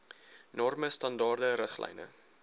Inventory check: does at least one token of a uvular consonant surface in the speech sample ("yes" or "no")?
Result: yes